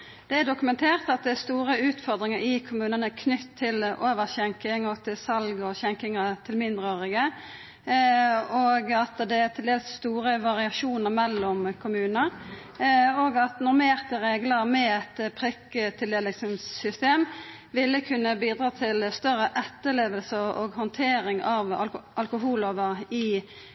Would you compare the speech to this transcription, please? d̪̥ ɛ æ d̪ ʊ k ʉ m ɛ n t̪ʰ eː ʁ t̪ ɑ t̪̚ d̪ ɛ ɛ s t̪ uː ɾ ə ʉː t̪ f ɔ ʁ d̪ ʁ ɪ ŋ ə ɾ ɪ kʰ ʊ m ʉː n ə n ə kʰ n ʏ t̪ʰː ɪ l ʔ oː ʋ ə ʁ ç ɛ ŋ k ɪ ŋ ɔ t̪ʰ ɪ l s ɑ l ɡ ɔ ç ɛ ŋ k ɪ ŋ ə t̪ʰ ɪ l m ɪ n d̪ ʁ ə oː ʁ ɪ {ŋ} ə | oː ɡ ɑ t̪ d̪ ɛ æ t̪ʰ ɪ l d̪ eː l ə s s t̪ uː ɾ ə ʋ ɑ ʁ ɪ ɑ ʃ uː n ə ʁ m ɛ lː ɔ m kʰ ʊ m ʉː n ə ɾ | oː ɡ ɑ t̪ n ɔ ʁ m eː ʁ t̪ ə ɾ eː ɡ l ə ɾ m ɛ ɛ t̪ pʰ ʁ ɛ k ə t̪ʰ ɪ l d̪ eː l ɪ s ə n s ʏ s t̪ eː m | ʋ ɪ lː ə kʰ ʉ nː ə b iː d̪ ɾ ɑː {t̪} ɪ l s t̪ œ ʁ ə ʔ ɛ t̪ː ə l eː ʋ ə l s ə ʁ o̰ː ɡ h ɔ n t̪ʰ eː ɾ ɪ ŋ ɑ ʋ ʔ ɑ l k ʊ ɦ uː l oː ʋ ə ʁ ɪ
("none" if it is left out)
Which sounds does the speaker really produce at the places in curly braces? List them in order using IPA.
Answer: ɡ, t̪ʰ

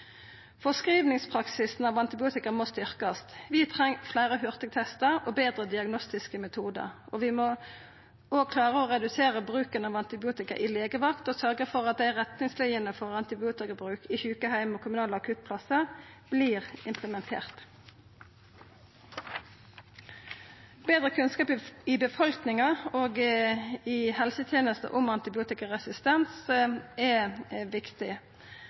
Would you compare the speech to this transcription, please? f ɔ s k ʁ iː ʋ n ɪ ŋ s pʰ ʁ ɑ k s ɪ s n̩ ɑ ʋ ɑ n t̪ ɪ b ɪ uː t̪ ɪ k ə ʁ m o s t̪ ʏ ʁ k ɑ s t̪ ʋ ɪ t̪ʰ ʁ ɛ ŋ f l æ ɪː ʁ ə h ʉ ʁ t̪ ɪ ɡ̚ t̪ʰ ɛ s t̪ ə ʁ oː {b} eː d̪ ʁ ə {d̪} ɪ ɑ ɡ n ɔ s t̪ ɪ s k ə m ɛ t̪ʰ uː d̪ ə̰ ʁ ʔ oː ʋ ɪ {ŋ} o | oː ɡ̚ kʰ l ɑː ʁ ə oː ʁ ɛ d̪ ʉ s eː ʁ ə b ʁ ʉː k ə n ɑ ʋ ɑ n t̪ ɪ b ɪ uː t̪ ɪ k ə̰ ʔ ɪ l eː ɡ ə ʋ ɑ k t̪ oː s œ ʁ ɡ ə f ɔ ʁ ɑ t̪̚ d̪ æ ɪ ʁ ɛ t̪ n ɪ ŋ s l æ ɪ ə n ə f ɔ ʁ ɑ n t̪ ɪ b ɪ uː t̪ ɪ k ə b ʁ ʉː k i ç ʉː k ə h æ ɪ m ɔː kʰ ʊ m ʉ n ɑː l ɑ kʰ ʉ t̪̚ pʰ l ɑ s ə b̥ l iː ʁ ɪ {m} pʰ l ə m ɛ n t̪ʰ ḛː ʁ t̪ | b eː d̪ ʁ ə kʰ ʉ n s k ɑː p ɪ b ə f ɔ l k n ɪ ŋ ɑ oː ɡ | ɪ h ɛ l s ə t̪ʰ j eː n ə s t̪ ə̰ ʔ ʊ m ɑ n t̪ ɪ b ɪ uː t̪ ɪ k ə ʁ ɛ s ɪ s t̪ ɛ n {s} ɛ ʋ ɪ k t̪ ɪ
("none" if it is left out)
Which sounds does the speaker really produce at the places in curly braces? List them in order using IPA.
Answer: b, d̪, m, m, s

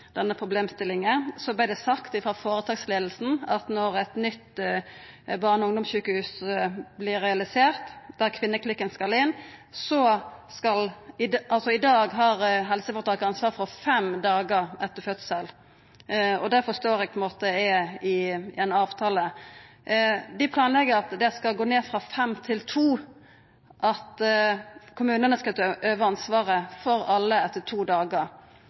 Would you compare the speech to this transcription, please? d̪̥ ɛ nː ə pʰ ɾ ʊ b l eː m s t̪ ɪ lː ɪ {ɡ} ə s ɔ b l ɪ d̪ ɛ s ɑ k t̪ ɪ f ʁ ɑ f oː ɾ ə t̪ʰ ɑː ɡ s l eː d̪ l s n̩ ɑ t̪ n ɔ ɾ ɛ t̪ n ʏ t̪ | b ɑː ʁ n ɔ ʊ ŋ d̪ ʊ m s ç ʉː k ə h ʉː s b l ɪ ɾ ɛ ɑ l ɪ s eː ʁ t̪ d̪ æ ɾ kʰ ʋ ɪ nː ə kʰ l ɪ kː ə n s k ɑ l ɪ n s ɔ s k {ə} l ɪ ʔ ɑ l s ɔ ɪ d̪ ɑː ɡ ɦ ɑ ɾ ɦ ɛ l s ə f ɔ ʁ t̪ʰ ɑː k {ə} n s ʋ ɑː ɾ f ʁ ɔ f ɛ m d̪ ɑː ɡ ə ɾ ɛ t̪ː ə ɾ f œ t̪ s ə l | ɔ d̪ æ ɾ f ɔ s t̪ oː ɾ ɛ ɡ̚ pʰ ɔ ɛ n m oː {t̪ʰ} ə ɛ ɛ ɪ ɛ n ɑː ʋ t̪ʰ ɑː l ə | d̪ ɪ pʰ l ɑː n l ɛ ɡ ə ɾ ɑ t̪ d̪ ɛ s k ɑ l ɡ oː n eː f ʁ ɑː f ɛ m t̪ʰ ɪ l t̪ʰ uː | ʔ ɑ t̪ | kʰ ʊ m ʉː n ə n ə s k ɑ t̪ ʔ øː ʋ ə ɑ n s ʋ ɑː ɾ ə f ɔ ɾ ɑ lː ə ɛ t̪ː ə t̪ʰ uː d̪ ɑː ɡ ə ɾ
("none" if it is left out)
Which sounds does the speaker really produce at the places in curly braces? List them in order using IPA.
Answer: ŋ, ɑ, ɑ, t̪

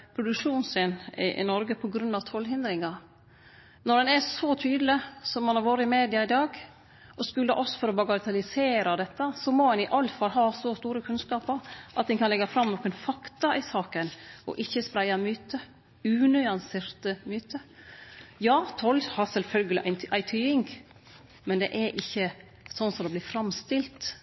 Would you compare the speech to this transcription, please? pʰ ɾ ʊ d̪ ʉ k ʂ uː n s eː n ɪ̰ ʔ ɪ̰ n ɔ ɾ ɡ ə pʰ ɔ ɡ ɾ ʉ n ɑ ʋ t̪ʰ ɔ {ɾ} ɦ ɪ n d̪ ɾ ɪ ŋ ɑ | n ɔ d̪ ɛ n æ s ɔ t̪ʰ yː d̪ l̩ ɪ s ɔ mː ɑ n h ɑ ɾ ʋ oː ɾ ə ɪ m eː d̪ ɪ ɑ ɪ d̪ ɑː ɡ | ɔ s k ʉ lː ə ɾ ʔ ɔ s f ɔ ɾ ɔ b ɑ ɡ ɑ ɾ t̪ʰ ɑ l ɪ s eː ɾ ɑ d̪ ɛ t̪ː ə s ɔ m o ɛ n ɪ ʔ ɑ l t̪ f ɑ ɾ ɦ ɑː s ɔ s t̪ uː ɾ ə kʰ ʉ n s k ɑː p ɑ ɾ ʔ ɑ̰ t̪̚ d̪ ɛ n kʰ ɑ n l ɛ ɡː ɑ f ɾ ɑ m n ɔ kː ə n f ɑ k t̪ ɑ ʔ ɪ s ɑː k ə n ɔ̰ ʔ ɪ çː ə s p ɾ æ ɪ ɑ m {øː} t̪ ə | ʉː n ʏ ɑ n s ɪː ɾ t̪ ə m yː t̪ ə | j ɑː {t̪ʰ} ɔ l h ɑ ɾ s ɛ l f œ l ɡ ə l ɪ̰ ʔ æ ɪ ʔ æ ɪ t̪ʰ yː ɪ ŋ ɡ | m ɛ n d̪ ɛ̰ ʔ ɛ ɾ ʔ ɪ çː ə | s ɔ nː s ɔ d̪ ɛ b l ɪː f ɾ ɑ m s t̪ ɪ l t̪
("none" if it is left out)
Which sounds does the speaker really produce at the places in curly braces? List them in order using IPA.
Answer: l, yː, t̪ʰ

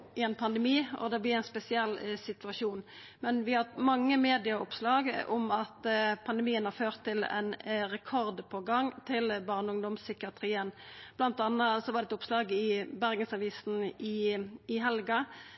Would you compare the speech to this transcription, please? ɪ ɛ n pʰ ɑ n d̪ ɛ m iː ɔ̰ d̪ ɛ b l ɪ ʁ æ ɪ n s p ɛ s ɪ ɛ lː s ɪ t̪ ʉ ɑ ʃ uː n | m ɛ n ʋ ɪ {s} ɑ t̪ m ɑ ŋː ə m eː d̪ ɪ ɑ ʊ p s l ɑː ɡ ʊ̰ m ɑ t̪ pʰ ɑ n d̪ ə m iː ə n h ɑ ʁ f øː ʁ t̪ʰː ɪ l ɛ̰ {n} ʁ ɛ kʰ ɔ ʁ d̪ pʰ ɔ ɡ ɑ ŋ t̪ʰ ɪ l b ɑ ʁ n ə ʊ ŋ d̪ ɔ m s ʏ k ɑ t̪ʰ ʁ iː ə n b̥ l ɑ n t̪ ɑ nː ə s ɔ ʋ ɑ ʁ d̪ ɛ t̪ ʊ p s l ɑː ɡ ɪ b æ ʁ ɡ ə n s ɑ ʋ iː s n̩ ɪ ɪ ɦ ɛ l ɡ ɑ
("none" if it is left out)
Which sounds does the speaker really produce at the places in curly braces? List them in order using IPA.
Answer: h, n

